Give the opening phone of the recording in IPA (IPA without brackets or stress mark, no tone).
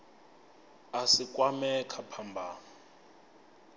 a